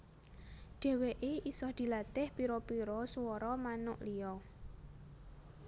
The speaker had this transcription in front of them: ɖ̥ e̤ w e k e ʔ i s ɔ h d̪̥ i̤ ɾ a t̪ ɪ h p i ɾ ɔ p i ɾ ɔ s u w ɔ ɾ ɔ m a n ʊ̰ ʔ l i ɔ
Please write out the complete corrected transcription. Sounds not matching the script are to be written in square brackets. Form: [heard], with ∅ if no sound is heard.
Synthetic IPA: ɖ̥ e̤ w e [ʔ] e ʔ i s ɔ h d̪̥ i̤ [l] a t̪ ɪ h p i ɾ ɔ p i ɾ ɔ s u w ɔ ɾ ɔ m a n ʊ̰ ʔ l i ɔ

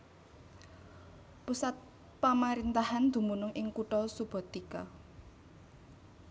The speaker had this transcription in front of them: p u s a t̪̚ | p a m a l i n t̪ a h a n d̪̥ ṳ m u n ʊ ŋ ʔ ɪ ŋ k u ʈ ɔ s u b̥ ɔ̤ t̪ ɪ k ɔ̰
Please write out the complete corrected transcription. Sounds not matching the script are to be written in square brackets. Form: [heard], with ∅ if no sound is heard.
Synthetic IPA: p u s a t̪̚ | p a m a [ɾ] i n t̪ a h a n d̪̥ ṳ m u n ʊ ŋ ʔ ɪ ŋ k u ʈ ɔ s u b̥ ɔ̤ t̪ [i] k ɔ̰

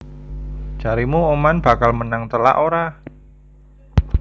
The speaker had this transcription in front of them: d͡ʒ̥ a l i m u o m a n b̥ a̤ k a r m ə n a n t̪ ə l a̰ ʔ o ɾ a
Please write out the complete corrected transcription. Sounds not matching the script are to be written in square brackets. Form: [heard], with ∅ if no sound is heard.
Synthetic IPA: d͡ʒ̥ a [ɾ] i m u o m a n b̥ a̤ k a [l] m ə n a [ŋ] t̪ ə l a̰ ʔ o ɾ a

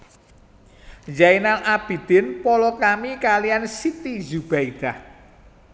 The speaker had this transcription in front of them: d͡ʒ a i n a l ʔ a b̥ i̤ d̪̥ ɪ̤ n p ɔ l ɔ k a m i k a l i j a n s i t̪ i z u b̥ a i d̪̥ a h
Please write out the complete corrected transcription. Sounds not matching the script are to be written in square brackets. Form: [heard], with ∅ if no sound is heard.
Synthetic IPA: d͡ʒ a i n a l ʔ a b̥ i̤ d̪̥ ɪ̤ n p ɔ l ɔ k a m i k a l i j a n s i t̪ i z u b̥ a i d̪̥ a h

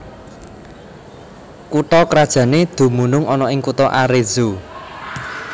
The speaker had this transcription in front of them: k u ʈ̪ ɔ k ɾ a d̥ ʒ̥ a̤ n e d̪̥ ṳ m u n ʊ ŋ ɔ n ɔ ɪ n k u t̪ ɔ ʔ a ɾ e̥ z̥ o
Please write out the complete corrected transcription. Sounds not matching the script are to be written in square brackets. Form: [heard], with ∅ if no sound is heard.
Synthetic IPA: k u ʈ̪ ɔ k ɾ a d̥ ʒ̥ a̤ n e d̪̥ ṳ m u n ʊ ŋ ɔ n ɔ ɪ [ŋ] k u t̪ ɔ ʔ a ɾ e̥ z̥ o

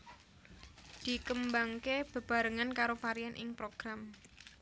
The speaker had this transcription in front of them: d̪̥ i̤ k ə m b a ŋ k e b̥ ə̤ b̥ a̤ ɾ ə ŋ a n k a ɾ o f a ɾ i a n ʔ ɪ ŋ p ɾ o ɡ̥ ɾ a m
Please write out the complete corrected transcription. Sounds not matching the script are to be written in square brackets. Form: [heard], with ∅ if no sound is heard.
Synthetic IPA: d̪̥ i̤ k ə m b a ŋ k e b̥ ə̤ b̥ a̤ ɾ ə ŋ a n k a ɾ o f a ɾ i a n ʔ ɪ ŋ p ɾ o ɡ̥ ɾ a m

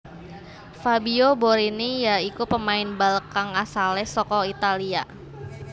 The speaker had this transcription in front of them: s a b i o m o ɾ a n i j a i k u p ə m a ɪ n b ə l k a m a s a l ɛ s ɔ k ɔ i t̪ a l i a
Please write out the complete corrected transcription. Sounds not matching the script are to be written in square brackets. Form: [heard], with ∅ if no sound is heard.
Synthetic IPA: [f] a b i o [b] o ɾ [i] n i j a i k u p ə m a ɪ n b [a] l k a [ŋ] a s a l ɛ s ɔ k ɔ i t̪ a l i a

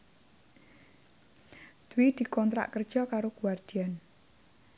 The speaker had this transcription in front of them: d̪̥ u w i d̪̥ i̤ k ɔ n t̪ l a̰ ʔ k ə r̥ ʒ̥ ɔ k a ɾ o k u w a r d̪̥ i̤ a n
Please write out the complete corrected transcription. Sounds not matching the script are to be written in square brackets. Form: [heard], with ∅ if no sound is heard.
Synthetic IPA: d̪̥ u w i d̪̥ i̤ k ɔ n t̪ [ɾ] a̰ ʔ k ə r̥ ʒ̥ ɔ k a ɾ o k u w a r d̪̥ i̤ a n

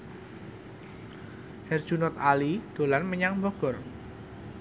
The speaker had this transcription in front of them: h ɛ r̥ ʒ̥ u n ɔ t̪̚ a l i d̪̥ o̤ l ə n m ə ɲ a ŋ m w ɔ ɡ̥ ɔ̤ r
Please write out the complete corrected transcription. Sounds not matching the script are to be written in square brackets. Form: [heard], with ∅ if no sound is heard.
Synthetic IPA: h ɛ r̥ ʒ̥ u n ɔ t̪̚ a l i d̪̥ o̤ l [a] n m ə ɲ a ŋ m [b] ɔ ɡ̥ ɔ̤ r

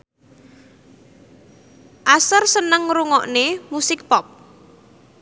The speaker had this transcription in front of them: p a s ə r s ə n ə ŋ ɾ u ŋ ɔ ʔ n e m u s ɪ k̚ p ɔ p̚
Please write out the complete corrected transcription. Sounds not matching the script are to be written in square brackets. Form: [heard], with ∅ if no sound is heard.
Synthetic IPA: [ʔ] a s ə r s ə n ə ŋ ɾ u ŋ ɔ ʔ n e m u s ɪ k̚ p ɔ p̚

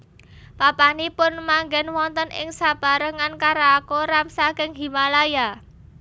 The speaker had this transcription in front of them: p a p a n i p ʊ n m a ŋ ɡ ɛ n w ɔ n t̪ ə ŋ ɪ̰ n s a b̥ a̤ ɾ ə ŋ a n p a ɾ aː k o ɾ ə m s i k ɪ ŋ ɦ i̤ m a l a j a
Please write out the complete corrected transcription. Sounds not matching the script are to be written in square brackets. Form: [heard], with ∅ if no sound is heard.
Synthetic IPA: p a p a n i p ʊ n m a ŋ ɡ ɛ n w ɔ n t̪ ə [n] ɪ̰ [ŋ] s a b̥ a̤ ɾ ə ŋ a n [k] a ɾ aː k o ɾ [a] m s [a] k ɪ ŋ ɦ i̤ m a l a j a

